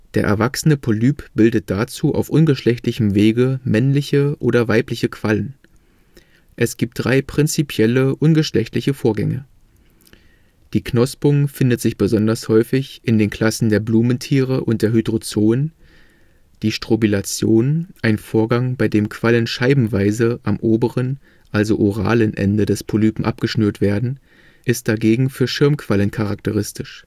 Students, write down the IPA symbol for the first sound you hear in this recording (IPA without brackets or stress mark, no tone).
d̥